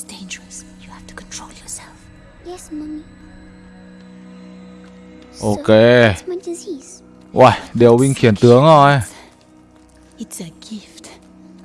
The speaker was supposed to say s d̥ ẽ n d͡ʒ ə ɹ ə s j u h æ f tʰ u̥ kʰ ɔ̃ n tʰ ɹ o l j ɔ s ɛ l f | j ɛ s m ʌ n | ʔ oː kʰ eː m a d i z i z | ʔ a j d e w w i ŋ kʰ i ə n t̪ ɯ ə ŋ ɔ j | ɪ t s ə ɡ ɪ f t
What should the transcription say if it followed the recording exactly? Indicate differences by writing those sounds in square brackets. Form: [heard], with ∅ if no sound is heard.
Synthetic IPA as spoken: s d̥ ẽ n d͡ʒ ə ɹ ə s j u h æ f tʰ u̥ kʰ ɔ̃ n tʰ ɹ o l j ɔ s ɛ l f | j ɛ s m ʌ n | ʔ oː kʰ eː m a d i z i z | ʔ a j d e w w i ŋ kʰ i ə n t̪ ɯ ə ŋ ɔ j | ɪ t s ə ɡ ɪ f t